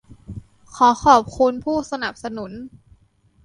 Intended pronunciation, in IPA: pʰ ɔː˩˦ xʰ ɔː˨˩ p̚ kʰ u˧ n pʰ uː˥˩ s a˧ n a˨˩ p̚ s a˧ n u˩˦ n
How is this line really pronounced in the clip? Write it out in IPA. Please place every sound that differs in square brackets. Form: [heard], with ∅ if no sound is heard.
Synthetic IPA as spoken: [kʰ] ɔː˩˦ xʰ ɔː˨˩ p̚ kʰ u˧ n pʰ uː˥˩ s a˧ n a˨˩ p̚ s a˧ n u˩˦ n